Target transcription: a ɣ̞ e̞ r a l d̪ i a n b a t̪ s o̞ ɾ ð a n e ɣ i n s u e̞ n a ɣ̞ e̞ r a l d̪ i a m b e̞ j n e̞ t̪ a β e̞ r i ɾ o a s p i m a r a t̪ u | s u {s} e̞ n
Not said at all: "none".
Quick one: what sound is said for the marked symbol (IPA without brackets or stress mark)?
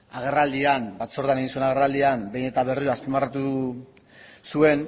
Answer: none